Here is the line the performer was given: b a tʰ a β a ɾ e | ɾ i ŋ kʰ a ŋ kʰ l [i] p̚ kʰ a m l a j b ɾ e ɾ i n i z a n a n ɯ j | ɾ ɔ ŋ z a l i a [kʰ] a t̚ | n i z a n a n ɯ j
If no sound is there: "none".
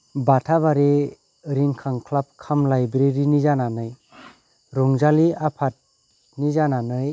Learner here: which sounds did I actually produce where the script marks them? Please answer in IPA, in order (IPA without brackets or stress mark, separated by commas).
a, pʰ